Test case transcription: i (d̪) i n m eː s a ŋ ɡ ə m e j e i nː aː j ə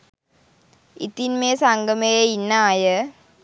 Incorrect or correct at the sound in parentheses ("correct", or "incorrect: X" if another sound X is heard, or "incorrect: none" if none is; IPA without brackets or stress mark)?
incorrect: t̪